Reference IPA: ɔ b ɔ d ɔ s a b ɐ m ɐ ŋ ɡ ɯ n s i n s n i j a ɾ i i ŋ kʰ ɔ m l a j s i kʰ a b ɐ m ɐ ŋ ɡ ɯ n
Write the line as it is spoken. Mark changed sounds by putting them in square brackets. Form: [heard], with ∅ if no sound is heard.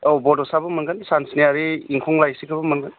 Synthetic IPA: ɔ b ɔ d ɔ s a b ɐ m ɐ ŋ ɡ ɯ n s [a] n s n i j a ɾ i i ŋ kʰ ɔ [ŋ] l a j s i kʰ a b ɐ m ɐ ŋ ɡ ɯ n